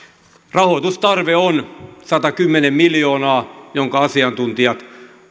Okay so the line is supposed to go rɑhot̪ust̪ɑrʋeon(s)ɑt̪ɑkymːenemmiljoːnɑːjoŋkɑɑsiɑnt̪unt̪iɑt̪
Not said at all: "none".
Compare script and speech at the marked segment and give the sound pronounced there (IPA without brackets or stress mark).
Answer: s